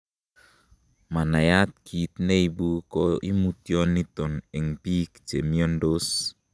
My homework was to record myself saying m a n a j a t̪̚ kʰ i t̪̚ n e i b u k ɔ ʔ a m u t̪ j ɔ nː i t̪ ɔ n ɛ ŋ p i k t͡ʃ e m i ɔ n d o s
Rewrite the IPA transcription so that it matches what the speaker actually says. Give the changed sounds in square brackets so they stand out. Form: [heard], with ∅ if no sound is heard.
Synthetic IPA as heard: m a n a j a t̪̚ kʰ i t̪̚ n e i b u k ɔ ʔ [i] m u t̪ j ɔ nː i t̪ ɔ n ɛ ŋ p i k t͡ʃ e m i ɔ n d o s

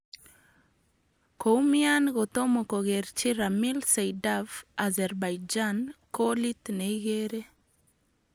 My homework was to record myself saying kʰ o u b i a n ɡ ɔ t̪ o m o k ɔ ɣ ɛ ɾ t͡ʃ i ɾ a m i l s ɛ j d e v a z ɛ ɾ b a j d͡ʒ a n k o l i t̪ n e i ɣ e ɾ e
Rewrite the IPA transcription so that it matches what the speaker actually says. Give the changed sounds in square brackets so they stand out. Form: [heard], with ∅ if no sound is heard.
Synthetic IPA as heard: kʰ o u [m] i a n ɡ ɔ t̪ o m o k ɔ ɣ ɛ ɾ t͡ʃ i ɾ a m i l s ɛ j d [a] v a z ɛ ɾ b a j d͡ʒ a n k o l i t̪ n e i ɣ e ɾ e

